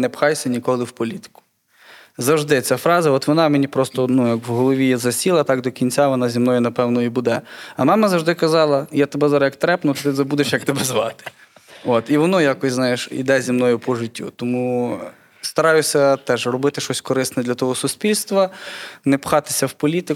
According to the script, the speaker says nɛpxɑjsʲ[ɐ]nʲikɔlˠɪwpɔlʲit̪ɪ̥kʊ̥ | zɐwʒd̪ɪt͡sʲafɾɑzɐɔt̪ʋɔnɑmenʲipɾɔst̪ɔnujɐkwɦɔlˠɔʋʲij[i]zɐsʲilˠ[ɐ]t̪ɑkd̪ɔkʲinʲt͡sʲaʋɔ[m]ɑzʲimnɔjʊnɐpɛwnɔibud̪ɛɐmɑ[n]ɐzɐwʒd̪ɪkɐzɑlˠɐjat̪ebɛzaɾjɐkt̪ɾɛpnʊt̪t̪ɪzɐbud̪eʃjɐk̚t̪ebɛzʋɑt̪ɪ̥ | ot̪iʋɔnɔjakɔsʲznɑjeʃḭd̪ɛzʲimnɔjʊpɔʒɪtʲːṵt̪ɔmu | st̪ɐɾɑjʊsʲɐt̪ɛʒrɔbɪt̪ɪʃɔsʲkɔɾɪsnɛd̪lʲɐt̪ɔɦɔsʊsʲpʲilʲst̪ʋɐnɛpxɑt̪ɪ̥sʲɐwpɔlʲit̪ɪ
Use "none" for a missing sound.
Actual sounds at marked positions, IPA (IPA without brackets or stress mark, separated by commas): ɐ, ɛ, ɐ, n, m